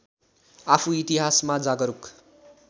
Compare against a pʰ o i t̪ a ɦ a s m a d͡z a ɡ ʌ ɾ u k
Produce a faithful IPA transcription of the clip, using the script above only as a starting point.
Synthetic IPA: a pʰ u i t̪ i ɦ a s m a d͡z a ɡ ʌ ɾ u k